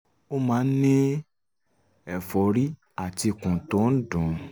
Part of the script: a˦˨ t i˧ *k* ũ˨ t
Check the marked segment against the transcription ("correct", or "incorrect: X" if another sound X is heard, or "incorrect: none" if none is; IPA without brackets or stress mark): correct